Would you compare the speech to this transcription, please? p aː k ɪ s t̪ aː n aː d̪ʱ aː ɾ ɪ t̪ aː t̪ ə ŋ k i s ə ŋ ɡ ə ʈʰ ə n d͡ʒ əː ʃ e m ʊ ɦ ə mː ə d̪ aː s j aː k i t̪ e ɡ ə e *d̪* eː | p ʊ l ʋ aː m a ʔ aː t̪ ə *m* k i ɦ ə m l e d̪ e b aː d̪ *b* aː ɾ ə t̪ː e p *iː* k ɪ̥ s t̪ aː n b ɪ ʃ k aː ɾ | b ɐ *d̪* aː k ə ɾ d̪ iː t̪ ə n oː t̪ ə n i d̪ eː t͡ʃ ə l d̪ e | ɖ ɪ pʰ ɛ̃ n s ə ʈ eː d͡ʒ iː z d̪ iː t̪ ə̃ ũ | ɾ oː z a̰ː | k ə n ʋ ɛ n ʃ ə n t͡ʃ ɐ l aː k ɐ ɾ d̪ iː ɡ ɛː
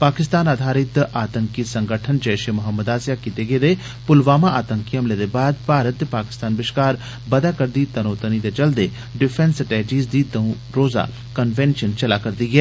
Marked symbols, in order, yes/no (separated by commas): yes, no, no, no, yes